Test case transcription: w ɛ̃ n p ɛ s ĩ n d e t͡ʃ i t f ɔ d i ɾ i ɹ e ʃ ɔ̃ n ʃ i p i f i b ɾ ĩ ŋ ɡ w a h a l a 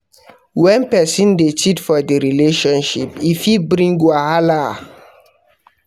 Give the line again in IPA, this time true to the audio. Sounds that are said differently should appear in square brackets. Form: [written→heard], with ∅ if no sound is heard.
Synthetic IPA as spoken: w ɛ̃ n p ɛ s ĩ n d e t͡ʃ i t f ɔ d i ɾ i [ɹ→l] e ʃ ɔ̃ n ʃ i p i f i b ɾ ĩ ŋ ɡ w a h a l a